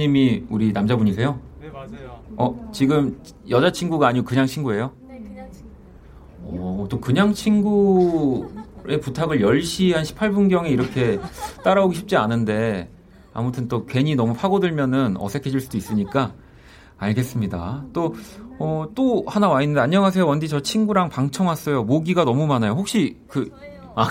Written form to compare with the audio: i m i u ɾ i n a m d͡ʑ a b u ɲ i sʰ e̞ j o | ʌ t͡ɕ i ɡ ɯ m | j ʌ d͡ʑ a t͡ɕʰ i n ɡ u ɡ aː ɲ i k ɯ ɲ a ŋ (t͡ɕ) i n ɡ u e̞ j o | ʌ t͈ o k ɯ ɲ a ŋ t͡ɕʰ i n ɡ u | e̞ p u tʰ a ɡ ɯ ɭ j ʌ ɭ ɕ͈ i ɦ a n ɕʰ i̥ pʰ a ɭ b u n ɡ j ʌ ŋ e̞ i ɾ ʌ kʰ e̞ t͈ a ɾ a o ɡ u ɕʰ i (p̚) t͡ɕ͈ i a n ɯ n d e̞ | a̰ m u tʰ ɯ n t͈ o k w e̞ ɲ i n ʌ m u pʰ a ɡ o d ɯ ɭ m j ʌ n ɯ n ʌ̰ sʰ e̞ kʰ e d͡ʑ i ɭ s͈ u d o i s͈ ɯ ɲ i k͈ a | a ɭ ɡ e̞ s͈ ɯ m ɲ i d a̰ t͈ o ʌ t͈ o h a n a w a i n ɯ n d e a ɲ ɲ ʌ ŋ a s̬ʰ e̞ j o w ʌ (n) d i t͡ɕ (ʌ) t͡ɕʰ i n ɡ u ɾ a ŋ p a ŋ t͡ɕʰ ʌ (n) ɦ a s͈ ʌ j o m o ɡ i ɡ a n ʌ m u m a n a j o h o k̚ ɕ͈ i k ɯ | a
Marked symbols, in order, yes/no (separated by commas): no, yes, yes, yes, no